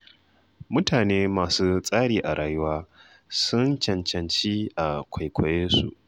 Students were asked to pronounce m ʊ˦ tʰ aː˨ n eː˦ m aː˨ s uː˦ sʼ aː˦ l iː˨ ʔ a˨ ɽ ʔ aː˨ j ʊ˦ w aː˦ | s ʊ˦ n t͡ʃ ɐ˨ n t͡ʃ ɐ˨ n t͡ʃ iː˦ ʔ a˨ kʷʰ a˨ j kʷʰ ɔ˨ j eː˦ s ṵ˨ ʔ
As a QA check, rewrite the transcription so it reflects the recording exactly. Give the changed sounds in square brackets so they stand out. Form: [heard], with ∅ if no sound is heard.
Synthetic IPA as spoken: m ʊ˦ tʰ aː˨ n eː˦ m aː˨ s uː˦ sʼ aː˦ [ɽ] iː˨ ʔ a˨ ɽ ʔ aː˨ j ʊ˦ w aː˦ | s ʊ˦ n t͡ʃ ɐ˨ n t͡ʃ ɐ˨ n t͡ʃ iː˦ ʔ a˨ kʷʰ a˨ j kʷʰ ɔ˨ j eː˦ s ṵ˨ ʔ